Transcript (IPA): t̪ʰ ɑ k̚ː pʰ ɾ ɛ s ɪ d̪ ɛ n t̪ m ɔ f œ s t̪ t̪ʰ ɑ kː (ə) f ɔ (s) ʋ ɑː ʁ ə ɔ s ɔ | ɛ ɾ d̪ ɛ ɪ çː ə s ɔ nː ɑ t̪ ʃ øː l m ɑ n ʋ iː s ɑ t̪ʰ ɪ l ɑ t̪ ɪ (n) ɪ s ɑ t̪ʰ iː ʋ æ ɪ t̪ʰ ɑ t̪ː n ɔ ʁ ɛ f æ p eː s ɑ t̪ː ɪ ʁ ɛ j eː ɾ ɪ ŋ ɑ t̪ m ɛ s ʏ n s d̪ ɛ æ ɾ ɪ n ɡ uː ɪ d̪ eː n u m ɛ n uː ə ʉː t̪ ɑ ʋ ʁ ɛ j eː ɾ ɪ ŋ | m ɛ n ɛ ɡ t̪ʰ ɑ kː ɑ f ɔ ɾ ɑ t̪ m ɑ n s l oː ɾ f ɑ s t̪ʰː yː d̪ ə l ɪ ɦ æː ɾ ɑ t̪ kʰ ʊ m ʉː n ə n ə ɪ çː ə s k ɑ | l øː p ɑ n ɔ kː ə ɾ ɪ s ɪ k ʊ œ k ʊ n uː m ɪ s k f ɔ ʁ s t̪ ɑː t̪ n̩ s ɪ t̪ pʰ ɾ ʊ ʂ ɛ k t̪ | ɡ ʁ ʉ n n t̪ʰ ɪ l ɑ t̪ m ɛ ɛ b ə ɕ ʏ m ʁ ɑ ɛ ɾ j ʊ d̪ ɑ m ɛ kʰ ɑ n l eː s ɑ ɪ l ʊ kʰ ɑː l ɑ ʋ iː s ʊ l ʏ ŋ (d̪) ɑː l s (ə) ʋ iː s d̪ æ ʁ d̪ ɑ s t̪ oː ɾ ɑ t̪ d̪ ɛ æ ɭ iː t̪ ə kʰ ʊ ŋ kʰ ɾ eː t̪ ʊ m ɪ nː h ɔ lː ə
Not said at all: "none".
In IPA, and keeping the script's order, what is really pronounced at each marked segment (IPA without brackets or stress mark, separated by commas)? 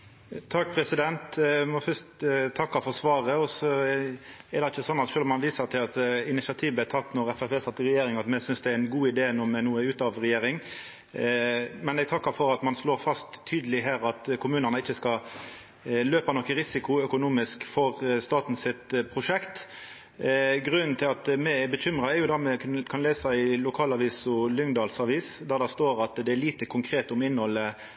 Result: ɑ, s, n, d̪, ɑ